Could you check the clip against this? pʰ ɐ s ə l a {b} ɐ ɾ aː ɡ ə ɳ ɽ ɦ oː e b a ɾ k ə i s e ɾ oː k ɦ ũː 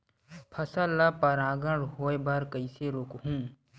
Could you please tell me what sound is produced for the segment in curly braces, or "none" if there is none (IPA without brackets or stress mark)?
p